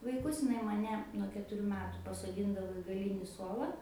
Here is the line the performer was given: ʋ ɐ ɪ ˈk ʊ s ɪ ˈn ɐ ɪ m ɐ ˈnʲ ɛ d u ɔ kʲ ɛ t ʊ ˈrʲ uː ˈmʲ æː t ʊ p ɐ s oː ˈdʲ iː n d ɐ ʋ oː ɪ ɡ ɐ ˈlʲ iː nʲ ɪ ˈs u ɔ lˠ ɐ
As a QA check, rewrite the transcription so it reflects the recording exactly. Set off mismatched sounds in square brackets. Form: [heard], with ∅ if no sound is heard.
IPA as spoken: ʋ ɐ ɪ ˈk ʊ s ɪ ˈn ɐ ɪ m ɐ ˈnʲ ɛ [n] u ɔ kʲ ɛ t ʊ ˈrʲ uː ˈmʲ æː t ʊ p ɐ s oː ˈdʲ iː n d ɐ ʋ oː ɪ ɡ ɐ ˈlʲ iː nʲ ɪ ˈs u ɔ lˠ ɐ